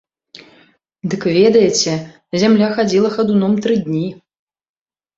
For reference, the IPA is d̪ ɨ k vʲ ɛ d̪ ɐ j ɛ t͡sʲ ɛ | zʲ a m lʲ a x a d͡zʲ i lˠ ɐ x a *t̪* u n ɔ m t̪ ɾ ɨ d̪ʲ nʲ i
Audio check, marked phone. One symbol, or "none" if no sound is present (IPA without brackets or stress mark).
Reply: d̪